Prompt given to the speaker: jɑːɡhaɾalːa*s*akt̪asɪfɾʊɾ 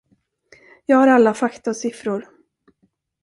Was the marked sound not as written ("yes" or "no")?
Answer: yes